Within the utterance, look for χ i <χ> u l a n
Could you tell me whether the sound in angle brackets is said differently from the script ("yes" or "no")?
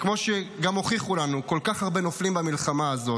no